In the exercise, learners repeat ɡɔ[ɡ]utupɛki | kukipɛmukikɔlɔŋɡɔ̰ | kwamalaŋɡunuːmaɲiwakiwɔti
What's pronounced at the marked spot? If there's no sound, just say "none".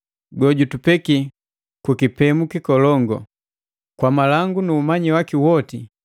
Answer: ɟ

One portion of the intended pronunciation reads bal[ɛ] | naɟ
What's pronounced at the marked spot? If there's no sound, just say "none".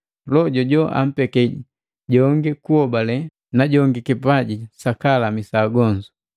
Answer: ɛ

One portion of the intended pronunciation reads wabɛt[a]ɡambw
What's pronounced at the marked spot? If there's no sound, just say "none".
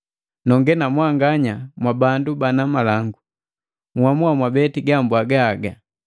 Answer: i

